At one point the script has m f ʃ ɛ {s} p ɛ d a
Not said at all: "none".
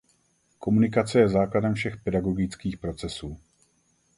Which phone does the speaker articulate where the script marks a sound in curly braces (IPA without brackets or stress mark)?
x